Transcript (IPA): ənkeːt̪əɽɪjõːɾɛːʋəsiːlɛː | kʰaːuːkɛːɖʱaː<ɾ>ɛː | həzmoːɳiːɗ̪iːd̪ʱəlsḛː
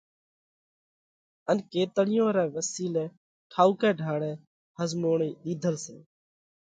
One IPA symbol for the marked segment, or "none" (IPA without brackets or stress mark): ɽ